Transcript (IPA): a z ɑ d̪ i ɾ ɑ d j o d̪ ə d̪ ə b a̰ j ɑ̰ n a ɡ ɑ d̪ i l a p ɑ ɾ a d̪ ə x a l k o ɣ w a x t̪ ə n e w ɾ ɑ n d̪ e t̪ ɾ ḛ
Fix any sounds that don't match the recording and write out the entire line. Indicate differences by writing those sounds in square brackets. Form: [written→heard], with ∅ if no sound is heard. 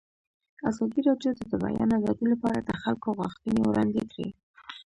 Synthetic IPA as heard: a z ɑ d̪ i ɾ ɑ d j o d̪ ə d̪ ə b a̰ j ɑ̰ n a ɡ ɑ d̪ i l a p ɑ ɾ a d̪ ə x a l k o ɣ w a x t̪ ə n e w ɾ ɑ n d̪ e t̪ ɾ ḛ